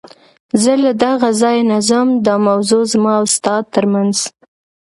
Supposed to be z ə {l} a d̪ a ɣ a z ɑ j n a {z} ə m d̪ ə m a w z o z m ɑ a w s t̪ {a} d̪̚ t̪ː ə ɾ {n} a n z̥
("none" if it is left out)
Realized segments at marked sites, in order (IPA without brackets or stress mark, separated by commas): l, z, ɑ, m